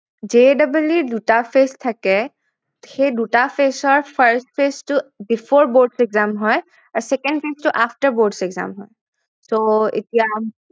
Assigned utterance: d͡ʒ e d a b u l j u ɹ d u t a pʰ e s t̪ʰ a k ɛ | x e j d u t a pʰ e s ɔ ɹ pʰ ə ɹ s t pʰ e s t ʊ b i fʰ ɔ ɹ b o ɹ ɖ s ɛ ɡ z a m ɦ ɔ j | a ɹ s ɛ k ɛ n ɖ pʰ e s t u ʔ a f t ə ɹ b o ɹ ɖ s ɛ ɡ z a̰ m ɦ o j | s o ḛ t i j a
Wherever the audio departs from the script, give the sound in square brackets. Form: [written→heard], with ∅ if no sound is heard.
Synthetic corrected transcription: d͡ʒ e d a b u l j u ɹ d u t a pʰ e s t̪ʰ a k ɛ | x e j d u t a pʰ e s ɔ ɹ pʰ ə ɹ s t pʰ e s t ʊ b i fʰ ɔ ɹ b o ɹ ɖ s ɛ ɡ z a m ɦ ɔ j | a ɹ s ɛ k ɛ n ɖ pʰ e s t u ʔ a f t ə ɹ b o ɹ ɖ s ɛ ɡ z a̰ m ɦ [o→ɔ] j | s o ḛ t i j a

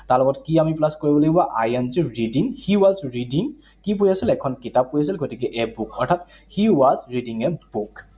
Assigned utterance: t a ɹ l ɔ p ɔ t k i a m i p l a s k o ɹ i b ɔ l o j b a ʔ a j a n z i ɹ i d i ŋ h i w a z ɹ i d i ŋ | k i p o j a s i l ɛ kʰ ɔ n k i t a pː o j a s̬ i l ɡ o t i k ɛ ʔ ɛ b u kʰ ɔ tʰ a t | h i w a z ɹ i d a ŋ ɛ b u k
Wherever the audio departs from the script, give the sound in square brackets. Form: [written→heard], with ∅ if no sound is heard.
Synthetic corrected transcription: t a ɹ l ɔ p ɔ t k i a m i p l a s k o ɹ i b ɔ l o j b a ʔ a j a n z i ɹ i d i ŋ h i w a z ɹ i d i ŋ | k i p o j a s i l ɛ kʰ ɔ n k i t a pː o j a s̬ i l ɡ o t i k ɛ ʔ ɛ b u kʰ ɔ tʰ a t | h i w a z ɹ i d [a→i] ŋ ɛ b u k

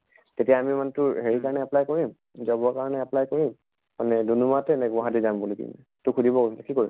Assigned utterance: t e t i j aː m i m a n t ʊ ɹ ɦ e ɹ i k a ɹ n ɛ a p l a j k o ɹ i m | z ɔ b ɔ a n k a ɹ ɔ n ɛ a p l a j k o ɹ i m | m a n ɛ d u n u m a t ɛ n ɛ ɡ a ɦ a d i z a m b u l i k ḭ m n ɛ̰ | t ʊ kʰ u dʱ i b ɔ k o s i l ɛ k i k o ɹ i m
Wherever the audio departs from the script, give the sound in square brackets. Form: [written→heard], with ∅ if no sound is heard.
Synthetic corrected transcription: t e t i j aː m i m a n t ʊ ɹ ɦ e ɹ i k a ɹ n ɛ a p l a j k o ɹ i m | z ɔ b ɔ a [n→∅] k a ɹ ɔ n ɛ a p l a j k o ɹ i m | m a n ɛ d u n u m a t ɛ n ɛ ɡ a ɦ a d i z a m b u l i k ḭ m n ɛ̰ | t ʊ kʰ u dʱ i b ɔ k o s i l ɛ k i k o ɹ i m

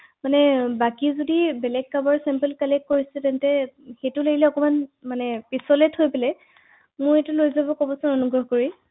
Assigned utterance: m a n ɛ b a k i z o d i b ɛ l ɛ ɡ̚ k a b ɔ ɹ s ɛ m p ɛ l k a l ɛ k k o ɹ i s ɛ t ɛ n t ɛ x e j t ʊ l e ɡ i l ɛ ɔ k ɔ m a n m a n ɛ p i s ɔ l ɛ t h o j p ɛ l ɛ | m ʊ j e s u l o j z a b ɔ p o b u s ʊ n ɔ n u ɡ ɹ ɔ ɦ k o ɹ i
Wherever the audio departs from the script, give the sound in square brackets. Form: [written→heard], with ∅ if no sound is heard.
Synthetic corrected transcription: m a n ɛ b a k i z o d i b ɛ l ɛ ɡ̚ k a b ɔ ɹ s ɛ m p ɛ l k a l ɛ k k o ɹ i s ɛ t ɛ n t ɛ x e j t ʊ l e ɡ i l ɛ ɔ k ɔ m a n m a n ɛ p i s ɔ l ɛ t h o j p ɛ l ɛ | m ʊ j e [s→t] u l o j z a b ɔ [p→k] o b [u→ɔ] s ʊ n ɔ n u ɡ ɹ ɔ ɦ k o ɹ i

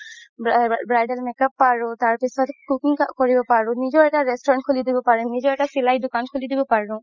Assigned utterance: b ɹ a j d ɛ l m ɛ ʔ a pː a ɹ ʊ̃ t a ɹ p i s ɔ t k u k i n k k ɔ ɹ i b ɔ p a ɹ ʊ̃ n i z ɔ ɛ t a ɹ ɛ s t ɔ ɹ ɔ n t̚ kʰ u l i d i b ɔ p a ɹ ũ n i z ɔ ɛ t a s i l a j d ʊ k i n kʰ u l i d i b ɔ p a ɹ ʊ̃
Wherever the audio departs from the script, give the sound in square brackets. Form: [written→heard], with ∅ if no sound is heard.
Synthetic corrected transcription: b ɹ a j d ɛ l m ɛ [ʔ→k] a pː a ɹ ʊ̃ t a ɹ p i s ɔ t k u k i [n→ŋ] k k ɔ ɹ i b ɔ p a ɹ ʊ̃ n i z ɔ ɛ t a ɹ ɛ s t ɔ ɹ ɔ n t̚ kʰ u l i d i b ɔ p a ɹ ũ n i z ɔ ɛ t a s i l a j d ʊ k [i→a] n kʰ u l i d i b ɔ p a ɹ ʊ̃

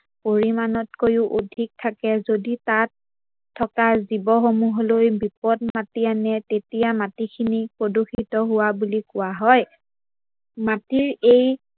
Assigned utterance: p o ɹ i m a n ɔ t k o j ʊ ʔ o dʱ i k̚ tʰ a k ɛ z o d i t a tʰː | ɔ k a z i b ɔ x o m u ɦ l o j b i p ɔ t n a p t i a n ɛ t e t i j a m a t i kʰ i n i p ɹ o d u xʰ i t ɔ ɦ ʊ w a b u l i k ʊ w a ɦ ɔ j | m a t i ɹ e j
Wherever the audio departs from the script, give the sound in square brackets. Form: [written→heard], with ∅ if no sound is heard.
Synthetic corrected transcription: p o ɹ i m a n ɔ t k o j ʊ ʔ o dʱ i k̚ tʰ a k ɛ z o d i t a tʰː | ɔ k a z i b ɔ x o m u ɦ l o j b i p ɔ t [n→m] a [p→∅] t i a n ɛ t e t i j a m a t i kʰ i n i p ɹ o d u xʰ i t ɔ ɦ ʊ w a b u l i k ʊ w a ɦ ɔ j | m a t i ɹ e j

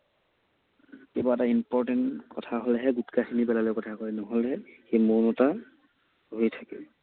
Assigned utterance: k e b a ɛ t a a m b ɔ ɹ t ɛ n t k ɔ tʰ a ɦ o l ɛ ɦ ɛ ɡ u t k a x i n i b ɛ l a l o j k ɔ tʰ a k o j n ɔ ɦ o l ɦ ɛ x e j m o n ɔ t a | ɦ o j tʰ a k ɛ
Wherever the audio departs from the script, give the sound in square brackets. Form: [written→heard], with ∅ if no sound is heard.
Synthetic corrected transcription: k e b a ɛ t a [a→i] m [b→p] ɔ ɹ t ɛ n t k ɔ tʰ a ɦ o l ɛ ɦ ɛ ɡ u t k a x i n i b ɛ l a l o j k ɔ tʰ a k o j n ɔ ɦ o l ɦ ɛ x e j m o n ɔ t a | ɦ o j tʰ a k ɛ

